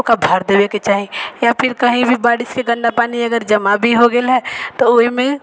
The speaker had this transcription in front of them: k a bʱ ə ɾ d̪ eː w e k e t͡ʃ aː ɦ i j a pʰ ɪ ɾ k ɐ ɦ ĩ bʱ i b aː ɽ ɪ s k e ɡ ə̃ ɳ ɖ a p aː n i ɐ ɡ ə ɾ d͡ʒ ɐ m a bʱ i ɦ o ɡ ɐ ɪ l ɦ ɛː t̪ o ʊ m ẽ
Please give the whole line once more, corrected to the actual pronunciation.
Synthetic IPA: k a bʱ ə ɾ d̪ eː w e k e t͡ʃ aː ɦ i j a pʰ ɪ ɾ k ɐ ɦ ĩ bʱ i b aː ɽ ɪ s k e ɡ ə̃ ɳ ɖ a p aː n i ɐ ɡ ə ɾ d͡ʒ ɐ m a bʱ i ɦ o ɡ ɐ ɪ l ɦ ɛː t̪ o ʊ m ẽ